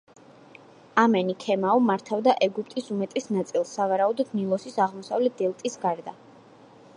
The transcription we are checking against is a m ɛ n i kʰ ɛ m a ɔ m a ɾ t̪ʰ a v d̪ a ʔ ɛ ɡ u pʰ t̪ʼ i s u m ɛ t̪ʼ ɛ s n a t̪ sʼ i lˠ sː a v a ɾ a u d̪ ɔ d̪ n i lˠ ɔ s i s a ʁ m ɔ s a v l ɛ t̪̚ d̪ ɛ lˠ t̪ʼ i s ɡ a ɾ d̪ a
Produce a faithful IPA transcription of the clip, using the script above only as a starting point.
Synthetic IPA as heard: a m ɛ n i kʰ ɛ m a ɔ m a ɾ t̪ʰ a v d̪ a ʔ ɛ ɡ u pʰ t̪ʼ i s u m ɛ t̪ʼ ɛ s n a t̪ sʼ i lˠ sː a v a ɾ a u d̪ ɔ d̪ n i lˠ ɔ s i s a ʁ m ɔ s a v l ɛ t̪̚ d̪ ɛ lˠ t̪ʼ i s ɡ a ɾ d̪ a